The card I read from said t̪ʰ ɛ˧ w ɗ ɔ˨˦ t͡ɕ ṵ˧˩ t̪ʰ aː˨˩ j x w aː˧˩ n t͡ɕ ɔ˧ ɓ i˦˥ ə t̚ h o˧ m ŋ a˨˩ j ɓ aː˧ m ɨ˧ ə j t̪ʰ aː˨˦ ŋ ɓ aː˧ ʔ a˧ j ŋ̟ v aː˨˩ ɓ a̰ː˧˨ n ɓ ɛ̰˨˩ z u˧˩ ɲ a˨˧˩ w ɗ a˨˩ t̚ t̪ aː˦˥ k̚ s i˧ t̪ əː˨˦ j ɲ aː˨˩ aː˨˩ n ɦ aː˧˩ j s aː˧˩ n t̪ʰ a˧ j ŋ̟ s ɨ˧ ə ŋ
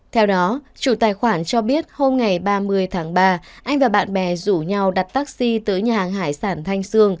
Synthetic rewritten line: t̪ʰ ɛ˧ w ɗ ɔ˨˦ t͡ɕ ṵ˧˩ t̪ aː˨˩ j x w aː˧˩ n t͡ɕ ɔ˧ ɓ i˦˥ ə t̚ h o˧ m ŋ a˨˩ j ɓ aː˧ m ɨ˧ ə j t̪ʰ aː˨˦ ŋ ɓ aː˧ ʔ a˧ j ŋ̟ v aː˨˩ ɓ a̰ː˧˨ n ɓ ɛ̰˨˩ z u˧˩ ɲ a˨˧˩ w ɗ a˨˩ t̚ t̪ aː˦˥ k̚ s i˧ t̪ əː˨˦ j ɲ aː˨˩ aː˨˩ ŋ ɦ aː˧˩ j s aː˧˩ n t̪ʰ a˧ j ŋ̟ s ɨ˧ ə ŋ